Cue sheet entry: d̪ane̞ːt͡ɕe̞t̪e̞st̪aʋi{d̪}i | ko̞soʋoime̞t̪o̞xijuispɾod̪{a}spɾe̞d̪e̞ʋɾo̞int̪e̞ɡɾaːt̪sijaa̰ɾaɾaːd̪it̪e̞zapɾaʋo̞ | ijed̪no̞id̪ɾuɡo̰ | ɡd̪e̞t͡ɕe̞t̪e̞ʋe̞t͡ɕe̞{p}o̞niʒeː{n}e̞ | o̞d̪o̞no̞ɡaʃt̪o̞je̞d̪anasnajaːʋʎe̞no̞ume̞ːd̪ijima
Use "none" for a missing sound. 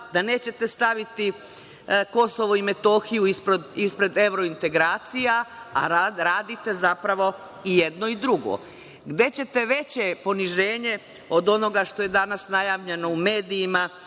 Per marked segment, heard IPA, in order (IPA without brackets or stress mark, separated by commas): t̪, i, p, ɲ